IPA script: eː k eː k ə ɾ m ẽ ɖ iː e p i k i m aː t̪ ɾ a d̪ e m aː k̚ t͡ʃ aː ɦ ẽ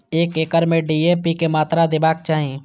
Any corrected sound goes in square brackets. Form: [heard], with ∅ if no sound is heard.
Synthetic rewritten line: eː k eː k ə ɾ m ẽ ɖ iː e p i k [e] m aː t̪ ɾ a d̪ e [b] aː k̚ t͡ʃ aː ɦ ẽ